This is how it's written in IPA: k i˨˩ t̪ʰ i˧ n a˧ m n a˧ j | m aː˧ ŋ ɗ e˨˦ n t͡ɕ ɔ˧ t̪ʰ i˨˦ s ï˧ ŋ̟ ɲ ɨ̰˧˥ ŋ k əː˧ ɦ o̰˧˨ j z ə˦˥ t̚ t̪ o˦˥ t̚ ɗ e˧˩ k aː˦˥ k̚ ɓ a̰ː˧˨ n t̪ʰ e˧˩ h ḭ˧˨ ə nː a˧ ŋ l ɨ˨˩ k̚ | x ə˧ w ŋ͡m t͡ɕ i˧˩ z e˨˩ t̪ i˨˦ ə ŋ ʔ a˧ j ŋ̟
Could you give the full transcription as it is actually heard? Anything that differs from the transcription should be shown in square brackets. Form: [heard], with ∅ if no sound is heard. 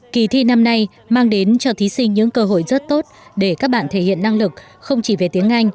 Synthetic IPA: k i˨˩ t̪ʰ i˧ n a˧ m n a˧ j | m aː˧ ŋ ɗ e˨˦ n t͡ɕ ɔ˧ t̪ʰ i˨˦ s ï˧ ŋ̟ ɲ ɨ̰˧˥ ŋ k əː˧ ɦ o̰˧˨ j z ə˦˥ t̚ t̪ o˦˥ t̚ ɗ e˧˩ k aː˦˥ k̚ ɓ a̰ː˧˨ n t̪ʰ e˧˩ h ḭ˧˨ ə nː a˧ ŋ l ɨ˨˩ k̚ | x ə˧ w ŋ͡m t͡ɕ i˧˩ [v] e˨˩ t̪ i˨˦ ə ŋ ʔ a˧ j ŋ̟